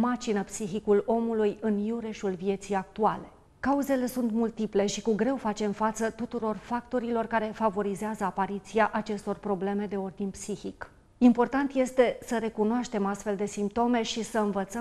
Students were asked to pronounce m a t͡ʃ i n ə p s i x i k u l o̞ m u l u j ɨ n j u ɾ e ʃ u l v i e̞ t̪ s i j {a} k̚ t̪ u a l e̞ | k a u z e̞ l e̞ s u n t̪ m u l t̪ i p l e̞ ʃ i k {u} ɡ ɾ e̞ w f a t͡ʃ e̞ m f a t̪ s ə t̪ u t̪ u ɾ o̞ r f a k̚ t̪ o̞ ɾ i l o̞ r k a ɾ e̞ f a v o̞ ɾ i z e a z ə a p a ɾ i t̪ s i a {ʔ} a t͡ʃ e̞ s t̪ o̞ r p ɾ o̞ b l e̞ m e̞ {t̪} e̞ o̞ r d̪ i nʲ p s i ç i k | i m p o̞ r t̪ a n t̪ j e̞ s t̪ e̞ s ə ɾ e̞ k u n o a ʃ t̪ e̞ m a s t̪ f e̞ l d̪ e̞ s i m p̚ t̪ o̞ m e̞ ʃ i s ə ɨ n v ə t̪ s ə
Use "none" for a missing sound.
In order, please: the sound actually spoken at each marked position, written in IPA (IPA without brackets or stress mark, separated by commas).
a, u, ʔ, d̪